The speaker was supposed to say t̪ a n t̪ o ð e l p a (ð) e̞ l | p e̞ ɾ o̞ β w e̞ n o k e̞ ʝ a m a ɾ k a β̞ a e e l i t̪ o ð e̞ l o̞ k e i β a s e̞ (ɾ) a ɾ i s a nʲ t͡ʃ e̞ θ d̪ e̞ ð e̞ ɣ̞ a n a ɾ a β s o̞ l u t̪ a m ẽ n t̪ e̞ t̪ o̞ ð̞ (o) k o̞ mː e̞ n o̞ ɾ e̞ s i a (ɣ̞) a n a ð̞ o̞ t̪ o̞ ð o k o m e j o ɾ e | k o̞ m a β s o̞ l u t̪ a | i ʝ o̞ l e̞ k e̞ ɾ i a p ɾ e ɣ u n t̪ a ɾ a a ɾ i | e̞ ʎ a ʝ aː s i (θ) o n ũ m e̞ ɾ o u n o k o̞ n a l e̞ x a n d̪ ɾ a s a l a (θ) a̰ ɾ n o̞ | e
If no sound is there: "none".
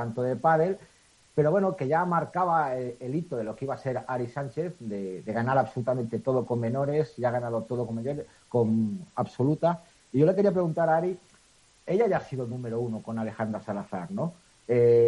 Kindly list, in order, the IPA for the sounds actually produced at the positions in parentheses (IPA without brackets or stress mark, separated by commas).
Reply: ð, ɾ, o, ɣ̞, ð, θ